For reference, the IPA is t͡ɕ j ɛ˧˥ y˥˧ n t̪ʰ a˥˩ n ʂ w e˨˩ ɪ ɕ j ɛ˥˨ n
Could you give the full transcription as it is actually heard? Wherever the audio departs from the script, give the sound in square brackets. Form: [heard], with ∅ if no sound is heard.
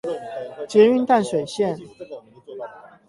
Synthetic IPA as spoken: t͡ɕ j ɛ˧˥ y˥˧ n [t̪] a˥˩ n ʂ w e˨˩ ɪ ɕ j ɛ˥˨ n